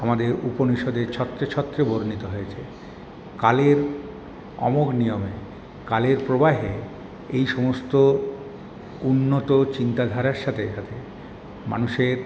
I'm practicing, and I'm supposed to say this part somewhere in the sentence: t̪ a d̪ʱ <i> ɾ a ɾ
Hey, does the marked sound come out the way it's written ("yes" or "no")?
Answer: no